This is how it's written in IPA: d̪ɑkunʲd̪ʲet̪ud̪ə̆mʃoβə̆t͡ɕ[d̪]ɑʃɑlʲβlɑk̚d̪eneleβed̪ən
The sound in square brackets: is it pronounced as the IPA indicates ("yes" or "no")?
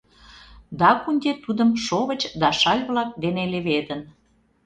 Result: yes